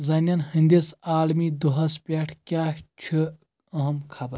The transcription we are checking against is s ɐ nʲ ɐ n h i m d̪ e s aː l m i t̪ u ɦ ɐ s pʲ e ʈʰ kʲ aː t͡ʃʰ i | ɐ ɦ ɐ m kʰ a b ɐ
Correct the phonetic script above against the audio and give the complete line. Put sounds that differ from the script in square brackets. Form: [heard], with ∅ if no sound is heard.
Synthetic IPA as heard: [z] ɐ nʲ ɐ n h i [n] d̪ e s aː l m i [d̪] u ɦ ɐ s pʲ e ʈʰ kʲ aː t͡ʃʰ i | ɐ ɦ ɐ m kʰ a b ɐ